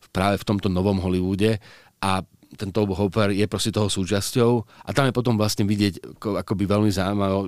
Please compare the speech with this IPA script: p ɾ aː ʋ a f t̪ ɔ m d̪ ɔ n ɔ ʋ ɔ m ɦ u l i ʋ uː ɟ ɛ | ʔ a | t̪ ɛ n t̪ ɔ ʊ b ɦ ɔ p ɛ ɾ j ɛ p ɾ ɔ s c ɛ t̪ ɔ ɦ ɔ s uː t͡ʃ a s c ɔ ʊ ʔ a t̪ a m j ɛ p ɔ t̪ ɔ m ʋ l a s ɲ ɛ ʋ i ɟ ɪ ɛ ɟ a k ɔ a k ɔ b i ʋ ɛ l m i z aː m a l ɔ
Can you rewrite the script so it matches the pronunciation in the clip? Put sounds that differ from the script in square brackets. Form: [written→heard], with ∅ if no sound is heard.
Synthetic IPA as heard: p ɾ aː ʋ [a→ɛ] f t̪ ɔ m [d̪→t̪] ɔ n ɔ ʋ ɔ m ɦ [u→ɔ] l i ʋ uː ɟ ɛ | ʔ a | t̪ ɛ n t̪ ɔ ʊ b ɦ ɔ p ɛ ɾ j ɛ p ɾ ɔ s c ɛ t̪ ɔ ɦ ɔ s uː t͡ʃ a s c ɔ ʊ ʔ a t̪ a m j ɛ p ɔ t̪ ɔ m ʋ l a s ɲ ɛ ʋ i ɟ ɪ ɛ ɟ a k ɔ a k ɔ b i ʋ ɛ l m i z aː m a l ɔ